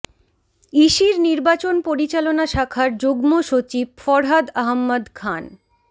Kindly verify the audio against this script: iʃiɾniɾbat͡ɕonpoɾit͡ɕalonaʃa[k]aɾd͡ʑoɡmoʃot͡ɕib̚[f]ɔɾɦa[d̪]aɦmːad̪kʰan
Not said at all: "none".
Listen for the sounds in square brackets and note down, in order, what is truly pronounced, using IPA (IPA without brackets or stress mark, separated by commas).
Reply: kʰ, f, d̪